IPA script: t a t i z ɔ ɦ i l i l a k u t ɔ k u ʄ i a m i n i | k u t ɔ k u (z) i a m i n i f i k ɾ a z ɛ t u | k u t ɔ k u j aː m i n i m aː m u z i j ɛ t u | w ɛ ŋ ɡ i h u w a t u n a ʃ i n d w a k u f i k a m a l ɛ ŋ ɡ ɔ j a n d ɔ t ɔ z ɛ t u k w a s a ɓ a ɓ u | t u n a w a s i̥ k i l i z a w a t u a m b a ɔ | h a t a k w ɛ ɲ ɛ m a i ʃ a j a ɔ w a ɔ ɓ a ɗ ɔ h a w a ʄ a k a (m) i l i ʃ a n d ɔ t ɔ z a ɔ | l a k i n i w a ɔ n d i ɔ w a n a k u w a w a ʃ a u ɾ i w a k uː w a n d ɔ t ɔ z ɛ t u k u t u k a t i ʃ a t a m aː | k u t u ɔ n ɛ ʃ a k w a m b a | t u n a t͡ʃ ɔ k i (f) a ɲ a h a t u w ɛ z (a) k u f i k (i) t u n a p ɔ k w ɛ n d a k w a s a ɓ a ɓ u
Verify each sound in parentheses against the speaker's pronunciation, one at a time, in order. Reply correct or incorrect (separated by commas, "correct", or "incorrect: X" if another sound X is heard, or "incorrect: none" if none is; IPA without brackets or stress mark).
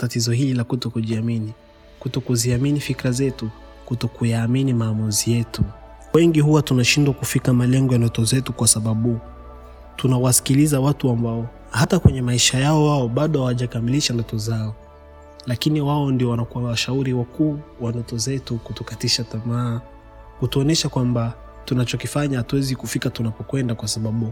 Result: correct, correct, correct, incorrect: i, incorrect: a